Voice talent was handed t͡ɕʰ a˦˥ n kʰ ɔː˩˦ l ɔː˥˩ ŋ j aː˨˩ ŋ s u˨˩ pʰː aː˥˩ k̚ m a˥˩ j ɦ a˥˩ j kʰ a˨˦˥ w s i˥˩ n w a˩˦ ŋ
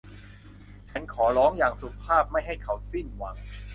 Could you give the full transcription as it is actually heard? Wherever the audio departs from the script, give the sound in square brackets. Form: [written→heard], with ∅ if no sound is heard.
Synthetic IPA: t͡ɕʰ a˦˥ n kʰ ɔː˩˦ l [ɔː˥˩→ɔː˦˥] ŋ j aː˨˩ ŋ s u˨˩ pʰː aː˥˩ [k̚→p̚] m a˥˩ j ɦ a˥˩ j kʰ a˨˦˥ w s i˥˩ n w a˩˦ ŋ